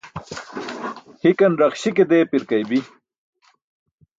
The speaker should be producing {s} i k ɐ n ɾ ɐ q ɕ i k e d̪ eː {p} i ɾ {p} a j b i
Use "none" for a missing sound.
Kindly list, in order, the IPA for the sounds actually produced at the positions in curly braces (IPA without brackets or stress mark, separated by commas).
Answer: h, p, k